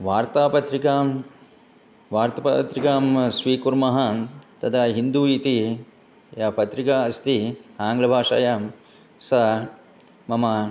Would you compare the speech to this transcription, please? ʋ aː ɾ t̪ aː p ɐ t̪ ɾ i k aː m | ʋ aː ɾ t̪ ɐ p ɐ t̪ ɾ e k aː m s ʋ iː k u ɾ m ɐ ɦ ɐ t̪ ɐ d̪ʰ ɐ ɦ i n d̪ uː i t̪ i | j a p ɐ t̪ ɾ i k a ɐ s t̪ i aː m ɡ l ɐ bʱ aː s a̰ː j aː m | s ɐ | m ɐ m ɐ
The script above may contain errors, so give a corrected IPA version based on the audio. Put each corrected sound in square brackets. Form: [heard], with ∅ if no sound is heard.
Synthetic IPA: ʋ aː ɾ t̪ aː p ɐ t̪ ɾ i k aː m | ʋ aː ɾ t̪ ɐ p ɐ t̪ ɾ [i] k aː m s ʋ iː k u ɾ m ɐ ɦ ɐ t̪ ɐ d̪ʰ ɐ ɦ i n d̪ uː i t̪ i | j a p ɐ t̪ ɾ i k a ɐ s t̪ i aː [ŋ] ɡ l ɐ bʱ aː [ʂ] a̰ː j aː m | s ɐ | m ɐ m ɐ